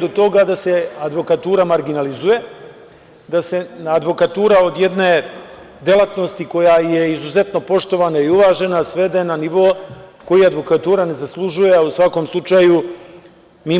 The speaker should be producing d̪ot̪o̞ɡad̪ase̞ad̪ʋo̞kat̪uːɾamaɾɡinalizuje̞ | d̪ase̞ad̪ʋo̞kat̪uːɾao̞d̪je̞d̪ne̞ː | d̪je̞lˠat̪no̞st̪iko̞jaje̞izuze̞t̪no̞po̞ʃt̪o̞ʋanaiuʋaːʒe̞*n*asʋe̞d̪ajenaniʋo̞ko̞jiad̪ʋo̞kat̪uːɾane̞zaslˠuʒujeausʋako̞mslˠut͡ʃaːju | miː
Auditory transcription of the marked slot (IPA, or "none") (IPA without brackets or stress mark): n